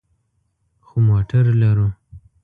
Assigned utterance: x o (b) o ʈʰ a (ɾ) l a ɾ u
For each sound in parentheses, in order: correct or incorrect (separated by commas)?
incorrect, correct